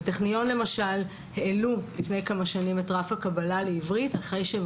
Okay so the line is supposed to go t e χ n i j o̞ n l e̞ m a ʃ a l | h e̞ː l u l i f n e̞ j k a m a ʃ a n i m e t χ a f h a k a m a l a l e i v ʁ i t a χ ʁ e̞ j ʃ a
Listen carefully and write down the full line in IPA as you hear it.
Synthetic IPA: t e χ n i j o̞ n l e̞ m a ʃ a l | h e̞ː l u l i f n e̞ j k a m a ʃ a n i m e t ʁ a f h a k a b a l a l e i v ʁ i t a χ ʁ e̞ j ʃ e